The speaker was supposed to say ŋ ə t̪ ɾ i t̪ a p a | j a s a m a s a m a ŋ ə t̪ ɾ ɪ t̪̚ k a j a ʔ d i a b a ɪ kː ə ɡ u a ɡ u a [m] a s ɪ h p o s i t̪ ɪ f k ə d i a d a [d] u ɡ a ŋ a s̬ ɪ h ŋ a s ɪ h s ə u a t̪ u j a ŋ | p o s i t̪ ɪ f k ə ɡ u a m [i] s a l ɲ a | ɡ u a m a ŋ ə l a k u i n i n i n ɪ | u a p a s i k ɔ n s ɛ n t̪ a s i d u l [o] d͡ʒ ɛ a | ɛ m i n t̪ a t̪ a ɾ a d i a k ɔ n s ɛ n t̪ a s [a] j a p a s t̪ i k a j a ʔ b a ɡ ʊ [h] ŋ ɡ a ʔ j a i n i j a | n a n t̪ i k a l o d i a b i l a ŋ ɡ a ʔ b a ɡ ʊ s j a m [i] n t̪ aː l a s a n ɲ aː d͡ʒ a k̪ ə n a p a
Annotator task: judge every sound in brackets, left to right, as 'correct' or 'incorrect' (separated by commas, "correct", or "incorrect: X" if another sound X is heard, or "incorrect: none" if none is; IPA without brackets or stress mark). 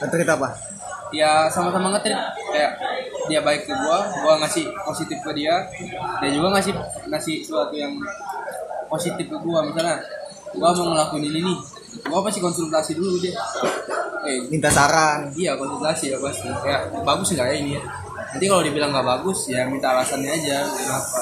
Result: incorrect: ŋ, incorrect: d͡ʒ, correct, incorrect: u, incorrect: i, incorrect: s, correct